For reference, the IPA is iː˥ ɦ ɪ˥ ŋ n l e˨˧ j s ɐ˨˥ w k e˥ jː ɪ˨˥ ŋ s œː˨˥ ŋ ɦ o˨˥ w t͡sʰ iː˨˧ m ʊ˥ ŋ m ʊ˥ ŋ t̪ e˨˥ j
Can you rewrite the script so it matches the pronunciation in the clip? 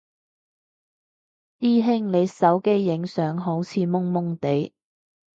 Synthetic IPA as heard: iː˥ ɦ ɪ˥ ŋ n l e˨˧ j s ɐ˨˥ w k e˥ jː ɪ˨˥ ŋ s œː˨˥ ŋ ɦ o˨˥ w t͡sʰ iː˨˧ m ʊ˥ ŋ m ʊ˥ ŋ t̪ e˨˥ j